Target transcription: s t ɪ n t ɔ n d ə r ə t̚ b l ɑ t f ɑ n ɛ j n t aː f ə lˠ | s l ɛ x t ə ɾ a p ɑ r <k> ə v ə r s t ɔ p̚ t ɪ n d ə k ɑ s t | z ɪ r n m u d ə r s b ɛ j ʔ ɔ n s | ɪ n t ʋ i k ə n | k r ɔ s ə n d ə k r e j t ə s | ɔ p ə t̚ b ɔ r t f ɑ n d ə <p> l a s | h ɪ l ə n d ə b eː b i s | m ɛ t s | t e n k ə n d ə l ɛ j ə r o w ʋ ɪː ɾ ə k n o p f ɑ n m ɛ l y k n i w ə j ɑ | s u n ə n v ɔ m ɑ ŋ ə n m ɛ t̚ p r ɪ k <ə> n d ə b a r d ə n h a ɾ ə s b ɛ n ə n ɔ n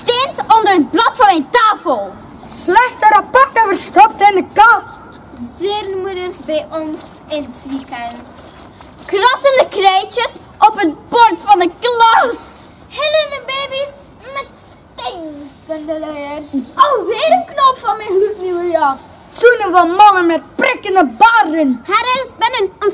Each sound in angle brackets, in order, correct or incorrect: incorrect: t, incorrect: k, correct

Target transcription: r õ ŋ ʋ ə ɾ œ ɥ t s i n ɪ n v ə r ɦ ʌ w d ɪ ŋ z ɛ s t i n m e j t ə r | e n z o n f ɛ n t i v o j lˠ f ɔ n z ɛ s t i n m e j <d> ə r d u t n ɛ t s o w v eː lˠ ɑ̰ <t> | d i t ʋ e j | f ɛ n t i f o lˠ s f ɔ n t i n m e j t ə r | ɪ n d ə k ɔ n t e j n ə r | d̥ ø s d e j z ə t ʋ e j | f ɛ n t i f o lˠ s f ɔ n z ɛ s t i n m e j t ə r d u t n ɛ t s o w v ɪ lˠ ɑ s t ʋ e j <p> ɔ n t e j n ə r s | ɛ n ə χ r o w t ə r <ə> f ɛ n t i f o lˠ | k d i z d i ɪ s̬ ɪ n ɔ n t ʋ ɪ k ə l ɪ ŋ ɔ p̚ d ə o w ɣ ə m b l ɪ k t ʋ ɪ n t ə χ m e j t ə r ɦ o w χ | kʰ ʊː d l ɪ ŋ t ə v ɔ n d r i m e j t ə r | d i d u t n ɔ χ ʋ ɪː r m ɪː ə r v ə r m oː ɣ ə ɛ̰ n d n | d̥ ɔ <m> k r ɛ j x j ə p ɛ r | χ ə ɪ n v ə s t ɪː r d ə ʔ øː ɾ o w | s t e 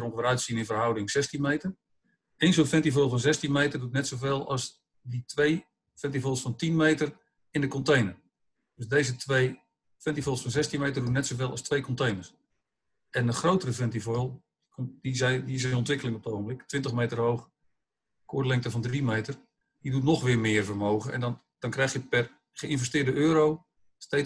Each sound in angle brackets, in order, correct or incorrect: incorrect: t, incorrect: s, incorrect: k, correct, incorrect: n

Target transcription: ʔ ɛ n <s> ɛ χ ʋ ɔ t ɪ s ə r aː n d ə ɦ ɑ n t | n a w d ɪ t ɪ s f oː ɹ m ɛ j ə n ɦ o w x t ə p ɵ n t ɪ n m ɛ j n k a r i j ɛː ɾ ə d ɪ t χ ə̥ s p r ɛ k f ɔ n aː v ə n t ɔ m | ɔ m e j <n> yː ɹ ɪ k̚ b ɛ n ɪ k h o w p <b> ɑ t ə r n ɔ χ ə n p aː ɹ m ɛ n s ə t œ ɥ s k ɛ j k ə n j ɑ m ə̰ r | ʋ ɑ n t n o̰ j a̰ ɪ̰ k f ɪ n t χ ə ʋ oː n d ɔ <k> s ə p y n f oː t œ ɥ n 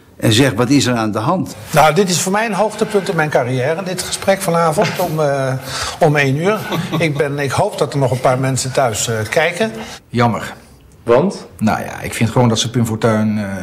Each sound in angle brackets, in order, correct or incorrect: incorrect: z, correct, incorrect: d, incorrect: t

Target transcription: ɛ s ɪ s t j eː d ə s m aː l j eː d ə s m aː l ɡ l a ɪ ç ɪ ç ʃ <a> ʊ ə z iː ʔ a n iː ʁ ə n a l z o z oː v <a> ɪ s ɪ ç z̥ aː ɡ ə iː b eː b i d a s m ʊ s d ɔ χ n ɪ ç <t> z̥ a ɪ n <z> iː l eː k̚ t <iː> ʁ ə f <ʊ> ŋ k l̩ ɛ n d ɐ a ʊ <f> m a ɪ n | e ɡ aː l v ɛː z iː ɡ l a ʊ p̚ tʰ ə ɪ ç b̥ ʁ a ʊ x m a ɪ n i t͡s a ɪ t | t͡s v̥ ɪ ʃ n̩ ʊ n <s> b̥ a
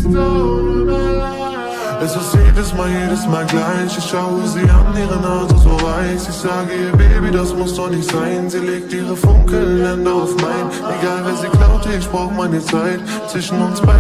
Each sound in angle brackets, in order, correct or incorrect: correct, correct, correct, correct, correct, correct, correct, correct

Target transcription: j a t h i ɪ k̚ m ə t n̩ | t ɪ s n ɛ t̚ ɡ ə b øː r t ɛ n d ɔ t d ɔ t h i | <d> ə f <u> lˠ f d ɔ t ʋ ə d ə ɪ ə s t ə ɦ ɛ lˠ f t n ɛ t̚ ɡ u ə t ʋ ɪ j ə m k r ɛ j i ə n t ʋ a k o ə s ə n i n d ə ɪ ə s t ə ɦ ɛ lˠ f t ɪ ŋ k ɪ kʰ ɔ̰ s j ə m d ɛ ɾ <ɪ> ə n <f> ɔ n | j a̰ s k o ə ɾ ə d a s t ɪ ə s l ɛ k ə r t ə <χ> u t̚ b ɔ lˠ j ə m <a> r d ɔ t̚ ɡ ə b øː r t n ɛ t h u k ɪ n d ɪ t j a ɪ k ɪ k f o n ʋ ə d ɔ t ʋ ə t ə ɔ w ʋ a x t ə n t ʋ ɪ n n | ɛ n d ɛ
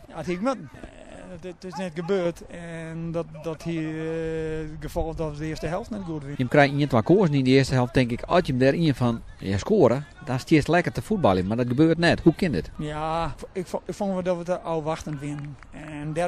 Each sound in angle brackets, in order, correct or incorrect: incorrect: ɡ, incorrect: ɔ, incorrect: i, correct, incorrect: f, correct

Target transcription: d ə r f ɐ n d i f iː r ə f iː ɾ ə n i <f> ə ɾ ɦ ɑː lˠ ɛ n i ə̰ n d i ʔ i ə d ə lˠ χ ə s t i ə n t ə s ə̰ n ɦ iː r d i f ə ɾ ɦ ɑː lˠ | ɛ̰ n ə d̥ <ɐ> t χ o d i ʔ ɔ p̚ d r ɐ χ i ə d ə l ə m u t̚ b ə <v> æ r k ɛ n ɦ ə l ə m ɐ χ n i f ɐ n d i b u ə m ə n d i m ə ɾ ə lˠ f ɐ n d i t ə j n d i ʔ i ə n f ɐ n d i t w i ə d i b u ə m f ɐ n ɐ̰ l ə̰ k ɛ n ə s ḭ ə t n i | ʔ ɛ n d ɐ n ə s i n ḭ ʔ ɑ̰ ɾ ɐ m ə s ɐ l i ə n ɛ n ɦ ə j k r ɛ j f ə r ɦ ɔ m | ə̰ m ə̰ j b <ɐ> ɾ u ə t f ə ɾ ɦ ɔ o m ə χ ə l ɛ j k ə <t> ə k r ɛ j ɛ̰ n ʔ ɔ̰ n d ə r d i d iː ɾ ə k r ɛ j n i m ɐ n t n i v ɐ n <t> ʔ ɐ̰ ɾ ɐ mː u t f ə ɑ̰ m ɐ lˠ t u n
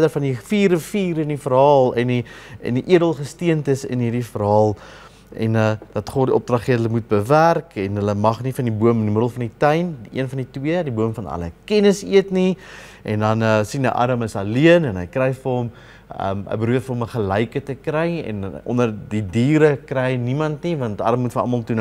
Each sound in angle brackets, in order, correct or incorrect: correct, correct, correct, incorrect: ə, correct, correct

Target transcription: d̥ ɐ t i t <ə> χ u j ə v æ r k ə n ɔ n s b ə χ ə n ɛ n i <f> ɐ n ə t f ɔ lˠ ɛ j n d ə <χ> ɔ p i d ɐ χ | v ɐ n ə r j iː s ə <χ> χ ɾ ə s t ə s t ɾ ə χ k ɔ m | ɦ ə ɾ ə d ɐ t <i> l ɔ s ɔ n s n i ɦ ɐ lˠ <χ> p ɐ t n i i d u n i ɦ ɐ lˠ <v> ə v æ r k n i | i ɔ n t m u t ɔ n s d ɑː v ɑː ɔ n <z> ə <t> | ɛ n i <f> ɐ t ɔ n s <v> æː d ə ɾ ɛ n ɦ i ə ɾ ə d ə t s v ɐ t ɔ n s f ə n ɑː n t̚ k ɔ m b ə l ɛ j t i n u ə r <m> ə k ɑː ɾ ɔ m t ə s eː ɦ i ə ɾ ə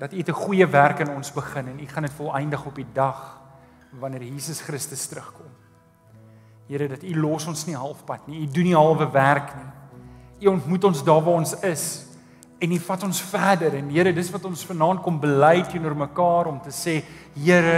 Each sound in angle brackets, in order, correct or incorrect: correct, incorrect: χ, correct, incorrect: s, correct, incorrect: f, correct, incorrect: s, incorrect: s, correct, incorrect: f, correct

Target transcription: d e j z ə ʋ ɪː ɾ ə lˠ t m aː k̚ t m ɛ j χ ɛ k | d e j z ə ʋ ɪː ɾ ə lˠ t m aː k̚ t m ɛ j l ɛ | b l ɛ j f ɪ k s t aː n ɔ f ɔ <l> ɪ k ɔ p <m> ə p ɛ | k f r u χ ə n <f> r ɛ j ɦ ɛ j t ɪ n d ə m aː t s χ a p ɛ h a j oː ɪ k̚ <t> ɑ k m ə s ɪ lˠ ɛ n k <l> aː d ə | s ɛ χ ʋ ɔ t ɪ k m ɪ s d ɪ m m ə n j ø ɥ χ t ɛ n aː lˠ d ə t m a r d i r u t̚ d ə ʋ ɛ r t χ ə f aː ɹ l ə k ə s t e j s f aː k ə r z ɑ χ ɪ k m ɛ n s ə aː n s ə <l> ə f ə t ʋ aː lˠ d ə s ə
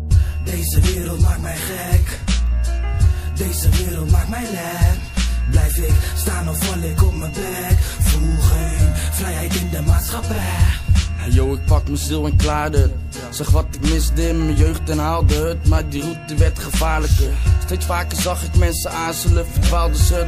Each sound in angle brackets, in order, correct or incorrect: correct, correct, correct, incorrect: p, correct, correct

